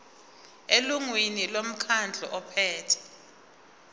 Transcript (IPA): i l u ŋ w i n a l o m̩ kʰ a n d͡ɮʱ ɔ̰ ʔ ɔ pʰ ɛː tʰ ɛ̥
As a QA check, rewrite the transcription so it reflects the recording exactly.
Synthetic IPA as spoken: e l u ŋ w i n i l o m̩ kʰ a n d͡ɮʱ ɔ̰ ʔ ɔ pʰ ɛː tʰ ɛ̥